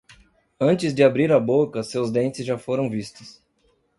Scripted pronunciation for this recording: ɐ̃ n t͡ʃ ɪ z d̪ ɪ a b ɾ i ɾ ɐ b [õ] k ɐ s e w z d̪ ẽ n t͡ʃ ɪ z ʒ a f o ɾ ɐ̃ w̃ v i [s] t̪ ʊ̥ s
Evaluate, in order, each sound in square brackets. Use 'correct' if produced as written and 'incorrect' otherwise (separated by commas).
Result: incorrect, correct